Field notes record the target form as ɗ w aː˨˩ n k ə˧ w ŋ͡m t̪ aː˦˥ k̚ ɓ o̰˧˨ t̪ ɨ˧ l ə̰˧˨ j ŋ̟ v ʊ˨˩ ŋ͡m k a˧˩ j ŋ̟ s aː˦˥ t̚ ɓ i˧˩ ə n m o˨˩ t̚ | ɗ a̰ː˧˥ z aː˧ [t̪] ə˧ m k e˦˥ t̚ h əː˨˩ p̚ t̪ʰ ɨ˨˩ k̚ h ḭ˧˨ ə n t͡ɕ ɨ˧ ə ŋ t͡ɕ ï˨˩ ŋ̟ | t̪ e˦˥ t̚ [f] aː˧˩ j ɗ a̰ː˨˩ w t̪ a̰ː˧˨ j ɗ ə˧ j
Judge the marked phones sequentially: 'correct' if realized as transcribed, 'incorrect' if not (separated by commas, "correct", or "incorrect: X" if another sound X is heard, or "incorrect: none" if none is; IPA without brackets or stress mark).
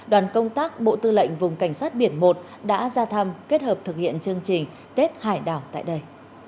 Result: incorrect: t̪ʰ, incorrect: h